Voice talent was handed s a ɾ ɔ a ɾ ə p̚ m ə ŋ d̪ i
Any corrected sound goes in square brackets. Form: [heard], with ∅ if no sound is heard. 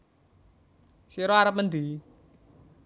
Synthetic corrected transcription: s [i] ɾ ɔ a ɾ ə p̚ m ə [n] d̪ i